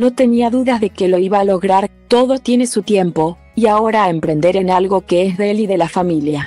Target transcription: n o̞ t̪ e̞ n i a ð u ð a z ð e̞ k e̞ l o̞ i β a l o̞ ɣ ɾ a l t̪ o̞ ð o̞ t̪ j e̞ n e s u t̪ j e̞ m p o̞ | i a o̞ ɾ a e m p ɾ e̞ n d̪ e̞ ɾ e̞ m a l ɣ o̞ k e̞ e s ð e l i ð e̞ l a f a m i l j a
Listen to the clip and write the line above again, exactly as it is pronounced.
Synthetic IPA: n o̞ t̪ e̞ n i a ð u ð a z ð e̞ k e̞ l o̞ i β a l o̞ ɣ ɾ a ɾ t̪ o̞ ð o̞ t̪ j e̞ n e s u t̪ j e̞ m p o̞ | i a o̞ ɾ a e m p ɾ e̞ n d̪ e̞ ɾ e̞ n a l ɣ o̞ k e̞ e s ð e l i ð e̞ l a f a m i l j a

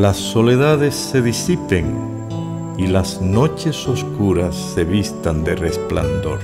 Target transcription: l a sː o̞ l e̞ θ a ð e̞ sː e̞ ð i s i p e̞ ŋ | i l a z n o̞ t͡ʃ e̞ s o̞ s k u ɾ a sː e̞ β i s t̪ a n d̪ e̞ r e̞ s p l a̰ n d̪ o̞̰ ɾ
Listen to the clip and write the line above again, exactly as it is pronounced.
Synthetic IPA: l a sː o̞ l e̞ ð a ð e̞ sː e̞ ð i s i p e̞ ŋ | i l a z n o̞ t͡ʃ e̞ s o̞ s k u ɾ a sː e̞ β i s t̪ a n d̪ e̞ r e̞ s p l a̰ n d̪ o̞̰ ɾ

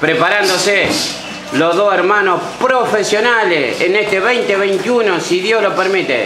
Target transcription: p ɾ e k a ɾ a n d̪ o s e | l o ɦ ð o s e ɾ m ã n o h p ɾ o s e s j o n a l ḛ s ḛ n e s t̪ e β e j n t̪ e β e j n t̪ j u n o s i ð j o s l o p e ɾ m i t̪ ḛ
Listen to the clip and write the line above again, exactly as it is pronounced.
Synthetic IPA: p ɾ e p a ɾ a n d̪ o s e | l o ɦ ð o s e ɾ m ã n o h p ɾ o f e s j o n a l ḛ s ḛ n e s t̪ e β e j n t̪ e β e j n t̪ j u n o s i ð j o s l o p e ɾ m i t̪ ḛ

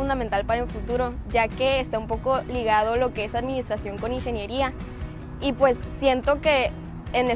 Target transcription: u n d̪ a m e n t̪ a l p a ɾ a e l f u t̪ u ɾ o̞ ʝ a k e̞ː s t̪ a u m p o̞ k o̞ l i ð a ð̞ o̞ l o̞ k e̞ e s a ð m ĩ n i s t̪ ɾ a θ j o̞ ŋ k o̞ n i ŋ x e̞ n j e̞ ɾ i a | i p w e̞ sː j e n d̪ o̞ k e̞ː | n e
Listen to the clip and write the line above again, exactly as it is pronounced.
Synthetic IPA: u n d̪ a m e n t̪ a l p a ɾ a e l f u t̪ u ɾ o̞ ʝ a k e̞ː s t̪ a u m p o̞ k o̞ l i ɣ a ð̞ o̞ l o̞ k e̞ e s a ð m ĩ n i s t̪ ɾ a s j o̞ ŋ k o̞ n i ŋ x e̞ n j e̞ ɾ i a | i p w e̞ sː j e n t̪ o̞ k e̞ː | n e

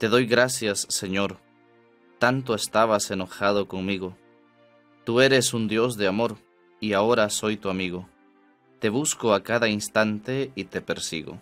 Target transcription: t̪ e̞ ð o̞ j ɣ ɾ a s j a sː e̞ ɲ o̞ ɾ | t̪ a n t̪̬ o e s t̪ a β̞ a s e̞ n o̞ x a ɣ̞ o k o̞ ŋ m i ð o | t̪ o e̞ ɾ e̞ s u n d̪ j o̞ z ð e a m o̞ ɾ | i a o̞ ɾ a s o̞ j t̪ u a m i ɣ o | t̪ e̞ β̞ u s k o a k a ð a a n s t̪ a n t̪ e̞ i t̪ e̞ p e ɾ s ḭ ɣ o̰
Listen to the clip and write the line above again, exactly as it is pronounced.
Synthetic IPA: t̪ e̞ ð o̞ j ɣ ɾ a s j a sː e̞ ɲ o̞ ɾ | t̪ a n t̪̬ o e s t̪ a β̞ a s e̞ n o̞ x a ð̞ o k o̞ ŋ m i ɣ o | t̪ u e̞ ɾ e̞ s u n d̪ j o̞ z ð e a m o̞ ɾ | i a o̞ ɾ a s o̞ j t̪ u a m i ɣ o | t̪ e̞ β̞ u s k o a k a ð a i n s t̪ a n t̪ e̞ i t̪ e̞ p e ɾ s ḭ ɣ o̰

